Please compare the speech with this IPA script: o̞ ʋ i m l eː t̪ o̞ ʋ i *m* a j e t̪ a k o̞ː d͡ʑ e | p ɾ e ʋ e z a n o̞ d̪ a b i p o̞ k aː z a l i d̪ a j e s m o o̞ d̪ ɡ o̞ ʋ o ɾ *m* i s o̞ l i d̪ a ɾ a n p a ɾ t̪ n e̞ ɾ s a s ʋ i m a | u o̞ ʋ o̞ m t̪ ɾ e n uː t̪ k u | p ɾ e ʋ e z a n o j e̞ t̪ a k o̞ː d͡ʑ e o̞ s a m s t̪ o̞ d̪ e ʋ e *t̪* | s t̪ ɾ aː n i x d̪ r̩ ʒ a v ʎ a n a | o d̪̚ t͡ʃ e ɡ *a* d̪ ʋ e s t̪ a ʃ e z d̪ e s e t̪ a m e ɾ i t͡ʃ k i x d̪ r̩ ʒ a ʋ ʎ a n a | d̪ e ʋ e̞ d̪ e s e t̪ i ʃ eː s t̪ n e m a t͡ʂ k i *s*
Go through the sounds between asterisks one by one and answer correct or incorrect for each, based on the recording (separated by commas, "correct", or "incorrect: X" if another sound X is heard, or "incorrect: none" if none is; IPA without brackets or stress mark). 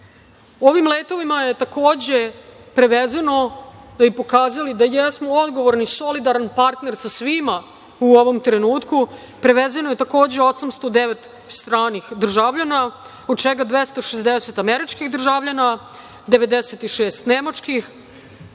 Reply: correct, incorrect: n, correct, correct, incorrect: x